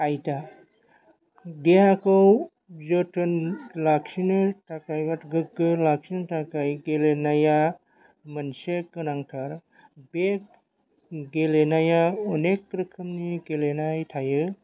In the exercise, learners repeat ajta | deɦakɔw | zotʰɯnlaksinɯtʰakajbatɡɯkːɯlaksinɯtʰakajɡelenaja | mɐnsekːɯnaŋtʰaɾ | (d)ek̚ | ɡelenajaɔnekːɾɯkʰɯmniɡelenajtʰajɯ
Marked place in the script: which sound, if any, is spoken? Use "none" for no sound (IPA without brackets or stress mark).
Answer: b